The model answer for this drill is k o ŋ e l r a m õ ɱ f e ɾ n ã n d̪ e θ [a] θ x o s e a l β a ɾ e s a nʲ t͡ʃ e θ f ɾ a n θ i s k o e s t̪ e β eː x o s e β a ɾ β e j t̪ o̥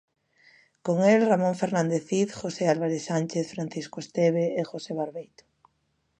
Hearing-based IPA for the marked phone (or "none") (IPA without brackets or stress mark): i